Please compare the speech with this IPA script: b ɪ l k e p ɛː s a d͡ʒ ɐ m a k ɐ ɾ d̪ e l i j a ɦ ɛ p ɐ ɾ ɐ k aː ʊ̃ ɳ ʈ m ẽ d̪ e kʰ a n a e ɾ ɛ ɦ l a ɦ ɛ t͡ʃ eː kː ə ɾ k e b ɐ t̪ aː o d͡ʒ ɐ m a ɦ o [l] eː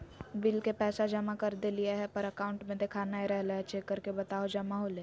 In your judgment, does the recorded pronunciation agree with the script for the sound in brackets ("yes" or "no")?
yes